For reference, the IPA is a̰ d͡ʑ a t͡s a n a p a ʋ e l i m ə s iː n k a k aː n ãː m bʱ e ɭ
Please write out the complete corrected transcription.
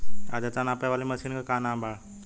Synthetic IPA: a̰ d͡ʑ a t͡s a n a p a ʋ a l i m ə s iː n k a k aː n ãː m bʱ a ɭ